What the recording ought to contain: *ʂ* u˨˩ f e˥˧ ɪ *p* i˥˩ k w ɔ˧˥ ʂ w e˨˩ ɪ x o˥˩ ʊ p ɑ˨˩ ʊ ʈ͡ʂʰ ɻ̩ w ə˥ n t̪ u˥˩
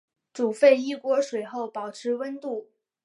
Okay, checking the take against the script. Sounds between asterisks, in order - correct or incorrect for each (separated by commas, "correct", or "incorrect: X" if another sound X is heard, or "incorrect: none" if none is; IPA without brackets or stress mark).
incorrect: ʈ͡ʂ, incorrect: none